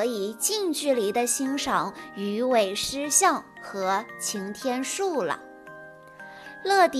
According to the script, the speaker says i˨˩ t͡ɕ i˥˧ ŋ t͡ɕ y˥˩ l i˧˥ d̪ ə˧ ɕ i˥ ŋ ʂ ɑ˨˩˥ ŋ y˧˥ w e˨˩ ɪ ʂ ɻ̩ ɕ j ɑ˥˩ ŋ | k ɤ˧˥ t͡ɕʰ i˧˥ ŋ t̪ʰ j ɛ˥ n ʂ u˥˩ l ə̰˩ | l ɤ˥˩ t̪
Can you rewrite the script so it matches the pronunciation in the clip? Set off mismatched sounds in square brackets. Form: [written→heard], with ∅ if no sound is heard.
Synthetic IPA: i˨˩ t͡ɕ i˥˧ ŋ t͡ɕ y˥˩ l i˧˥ d̪ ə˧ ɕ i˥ ŋ ʂ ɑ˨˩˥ ŋ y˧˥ w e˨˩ ɪ ʂ ɻ̩ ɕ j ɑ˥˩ ŋ | [k→x] ɤ˧˥ t͡ɕʰ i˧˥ ŋ t̪ʰ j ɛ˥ n ʂ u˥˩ l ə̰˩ | l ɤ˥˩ t̪